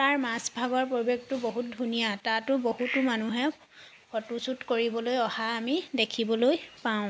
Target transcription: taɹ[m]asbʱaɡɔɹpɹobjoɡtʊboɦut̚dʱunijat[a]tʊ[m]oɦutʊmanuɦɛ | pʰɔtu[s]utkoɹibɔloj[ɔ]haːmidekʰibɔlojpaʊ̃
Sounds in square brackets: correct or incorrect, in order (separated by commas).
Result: correct, correct, incorrect, correct, correct